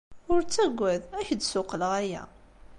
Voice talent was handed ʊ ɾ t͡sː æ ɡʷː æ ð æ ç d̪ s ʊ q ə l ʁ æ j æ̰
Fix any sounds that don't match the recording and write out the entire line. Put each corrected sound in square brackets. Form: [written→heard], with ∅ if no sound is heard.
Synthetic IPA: ʊ ɾ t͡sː æ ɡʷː æ ð æ ç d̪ s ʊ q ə l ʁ æ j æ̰